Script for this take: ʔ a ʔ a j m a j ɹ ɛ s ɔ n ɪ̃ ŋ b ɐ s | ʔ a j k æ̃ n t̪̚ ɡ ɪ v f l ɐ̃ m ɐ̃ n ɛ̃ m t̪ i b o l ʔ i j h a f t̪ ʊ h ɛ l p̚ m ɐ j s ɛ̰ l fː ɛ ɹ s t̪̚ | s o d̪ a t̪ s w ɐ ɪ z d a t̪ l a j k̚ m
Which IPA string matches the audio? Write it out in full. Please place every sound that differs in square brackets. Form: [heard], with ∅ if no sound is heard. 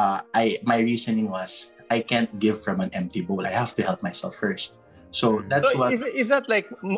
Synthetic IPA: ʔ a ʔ a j m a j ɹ [i] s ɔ n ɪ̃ ŋ [w] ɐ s | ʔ a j k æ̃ n t̪̚ ɡ ɪ v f [ɹ] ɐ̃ m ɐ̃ n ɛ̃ m t̪ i b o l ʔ [a] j h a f t̪ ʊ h ɛ l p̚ m [a] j s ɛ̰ l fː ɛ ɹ s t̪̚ | s o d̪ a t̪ s w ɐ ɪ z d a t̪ l a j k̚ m